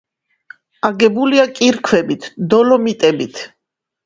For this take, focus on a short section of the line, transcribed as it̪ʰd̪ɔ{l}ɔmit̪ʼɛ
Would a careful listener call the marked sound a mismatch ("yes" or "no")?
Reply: no